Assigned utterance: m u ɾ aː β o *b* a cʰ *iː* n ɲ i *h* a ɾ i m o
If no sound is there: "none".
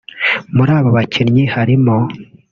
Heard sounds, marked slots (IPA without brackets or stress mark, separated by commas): β, i, h